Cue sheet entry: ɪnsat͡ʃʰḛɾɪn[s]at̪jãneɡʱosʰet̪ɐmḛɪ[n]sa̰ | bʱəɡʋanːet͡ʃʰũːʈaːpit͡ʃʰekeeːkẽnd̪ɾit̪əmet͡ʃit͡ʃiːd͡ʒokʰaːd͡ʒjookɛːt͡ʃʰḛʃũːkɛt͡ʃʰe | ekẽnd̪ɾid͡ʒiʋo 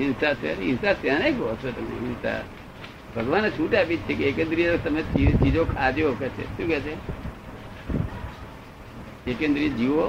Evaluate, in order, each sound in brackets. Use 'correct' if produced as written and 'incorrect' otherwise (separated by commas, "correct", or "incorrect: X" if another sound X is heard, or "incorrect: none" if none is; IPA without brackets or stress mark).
correct, correct